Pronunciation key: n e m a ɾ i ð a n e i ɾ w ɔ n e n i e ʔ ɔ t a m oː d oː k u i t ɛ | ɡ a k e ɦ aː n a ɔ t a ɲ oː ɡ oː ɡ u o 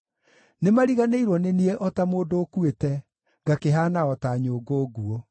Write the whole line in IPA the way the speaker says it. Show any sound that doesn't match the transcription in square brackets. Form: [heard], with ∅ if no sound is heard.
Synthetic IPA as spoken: n e m a ɾ i [ɣ] a n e i ɾ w ɔ n e n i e ʔ ɔ t a m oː d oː k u [e] t ɛ | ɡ a k e ɦ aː n a ɔ t a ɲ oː ɡ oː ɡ u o